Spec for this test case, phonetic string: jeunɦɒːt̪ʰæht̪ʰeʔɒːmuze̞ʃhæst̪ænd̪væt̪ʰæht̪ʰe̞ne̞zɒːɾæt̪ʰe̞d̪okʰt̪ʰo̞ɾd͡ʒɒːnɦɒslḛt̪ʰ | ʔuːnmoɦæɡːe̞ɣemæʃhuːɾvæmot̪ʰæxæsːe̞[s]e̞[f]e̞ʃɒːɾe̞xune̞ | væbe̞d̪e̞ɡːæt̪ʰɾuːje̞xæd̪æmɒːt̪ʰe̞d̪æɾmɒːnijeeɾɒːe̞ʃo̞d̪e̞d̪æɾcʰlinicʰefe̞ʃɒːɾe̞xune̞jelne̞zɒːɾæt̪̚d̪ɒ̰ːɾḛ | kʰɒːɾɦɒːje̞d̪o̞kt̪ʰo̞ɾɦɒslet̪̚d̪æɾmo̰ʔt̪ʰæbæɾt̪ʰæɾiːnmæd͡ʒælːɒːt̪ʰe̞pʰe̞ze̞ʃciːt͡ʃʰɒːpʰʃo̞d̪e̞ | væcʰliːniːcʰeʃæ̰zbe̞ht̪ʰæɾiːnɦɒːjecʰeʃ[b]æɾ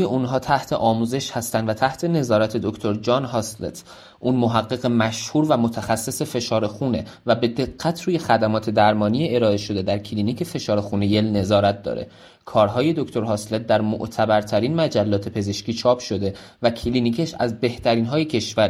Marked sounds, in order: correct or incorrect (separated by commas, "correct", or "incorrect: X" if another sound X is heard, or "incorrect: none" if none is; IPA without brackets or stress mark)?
correct, correct, incorrect: v